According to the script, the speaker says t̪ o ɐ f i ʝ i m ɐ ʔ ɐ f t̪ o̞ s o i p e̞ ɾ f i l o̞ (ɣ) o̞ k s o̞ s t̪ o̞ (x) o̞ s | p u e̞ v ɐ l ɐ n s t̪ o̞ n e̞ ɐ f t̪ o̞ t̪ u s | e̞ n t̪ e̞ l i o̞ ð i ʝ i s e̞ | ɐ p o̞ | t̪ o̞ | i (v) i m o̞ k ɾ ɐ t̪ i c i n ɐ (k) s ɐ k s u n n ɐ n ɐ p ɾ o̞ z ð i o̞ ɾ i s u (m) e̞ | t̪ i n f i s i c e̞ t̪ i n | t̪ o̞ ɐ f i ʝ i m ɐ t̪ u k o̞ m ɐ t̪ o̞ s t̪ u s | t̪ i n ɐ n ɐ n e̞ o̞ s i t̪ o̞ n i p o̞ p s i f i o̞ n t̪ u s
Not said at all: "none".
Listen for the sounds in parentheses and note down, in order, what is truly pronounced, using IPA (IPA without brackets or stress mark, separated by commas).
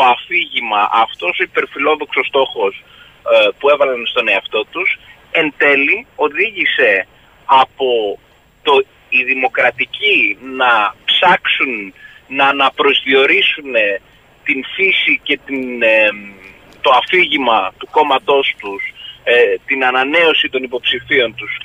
ð, x, ð, p, n